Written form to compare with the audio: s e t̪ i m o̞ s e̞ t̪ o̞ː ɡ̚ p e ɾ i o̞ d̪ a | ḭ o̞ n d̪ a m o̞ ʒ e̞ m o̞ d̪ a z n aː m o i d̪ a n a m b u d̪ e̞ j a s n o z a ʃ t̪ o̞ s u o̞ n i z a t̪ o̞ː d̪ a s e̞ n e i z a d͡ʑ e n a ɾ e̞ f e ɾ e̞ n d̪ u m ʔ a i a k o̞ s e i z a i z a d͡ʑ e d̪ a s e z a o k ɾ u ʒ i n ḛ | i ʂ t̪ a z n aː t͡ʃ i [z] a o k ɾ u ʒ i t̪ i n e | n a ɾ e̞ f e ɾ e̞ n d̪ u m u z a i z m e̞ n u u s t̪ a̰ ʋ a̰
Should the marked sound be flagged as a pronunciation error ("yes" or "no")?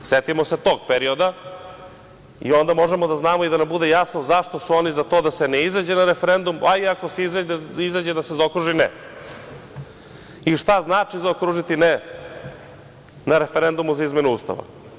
no